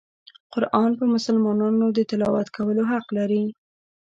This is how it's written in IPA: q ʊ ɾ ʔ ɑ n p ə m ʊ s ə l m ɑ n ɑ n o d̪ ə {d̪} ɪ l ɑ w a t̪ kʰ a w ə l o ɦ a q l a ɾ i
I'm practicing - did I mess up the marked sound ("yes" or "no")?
yes